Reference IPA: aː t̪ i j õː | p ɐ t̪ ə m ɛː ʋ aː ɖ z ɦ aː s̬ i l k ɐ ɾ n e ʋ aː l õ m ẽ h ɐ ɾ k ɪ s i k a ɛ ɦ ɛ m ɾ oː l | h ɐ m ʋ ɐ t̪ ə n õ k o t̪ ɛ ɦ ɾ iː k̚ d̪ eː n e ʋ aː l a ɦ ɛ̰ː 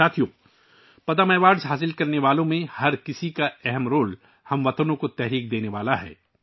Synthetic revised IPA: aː t̪ʰ i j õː | p ɐ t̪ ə m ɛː ʋ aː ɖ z ɦ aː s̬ ɪ l k ɐ ɾ n e ʋ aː l õ m ẽ h ɐ ɾ k ɪ s i k a ɛ ɦ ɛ m ɾ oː l | h ɐ m ʋ ɐ t̪ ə n õ k o t̪ ɛ ɦ ɾ iː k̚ d̪ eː n e ʋ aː l a ɦ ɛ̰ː